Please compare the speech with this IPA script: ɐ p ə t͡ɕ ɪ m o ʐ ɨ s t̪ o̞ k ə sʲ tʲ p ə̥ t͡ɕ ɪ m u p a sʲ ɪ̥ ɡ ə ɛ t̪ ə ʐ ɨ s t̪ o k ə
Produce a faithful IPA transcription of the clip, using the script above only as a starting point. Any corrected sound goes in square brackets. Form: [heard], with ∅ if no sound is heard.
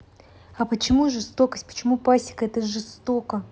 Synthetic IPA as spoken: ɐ p ə t͡ɕ ɪ m [u] ʐ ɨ s t̪ o̞ k ə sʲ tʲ p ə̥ t͡ɕ ɪ m u p a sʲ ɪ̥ [k] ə ɛ t̪ ə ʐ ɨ s t̪ o k ə